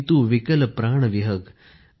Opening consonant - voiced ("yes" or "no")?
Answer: no